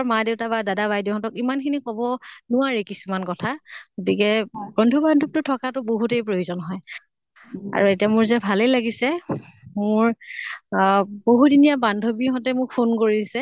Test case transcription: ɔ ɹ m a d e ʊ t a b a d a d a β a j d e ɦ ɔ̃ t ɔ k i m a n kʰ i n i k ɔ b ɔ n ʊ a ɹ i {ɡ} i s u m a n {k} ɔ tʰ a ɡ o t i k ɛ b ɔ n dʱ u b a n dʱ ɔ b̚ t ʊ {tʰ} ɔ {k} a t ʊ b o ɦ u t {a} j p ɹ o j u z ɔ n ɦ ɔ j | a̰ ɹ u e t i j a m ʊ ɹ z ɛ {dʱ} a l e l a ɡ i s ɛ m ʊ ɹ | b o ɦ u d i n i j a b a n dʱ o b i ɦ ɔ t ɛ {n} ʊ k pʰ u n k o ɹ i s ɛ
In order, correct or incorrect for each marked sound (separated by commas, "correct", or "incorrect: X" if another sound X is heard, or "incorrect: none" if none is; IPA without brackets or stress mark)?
incorrect: k, correct, correct, correct, incorrect: e, incorrect: bʱ, incorrect: m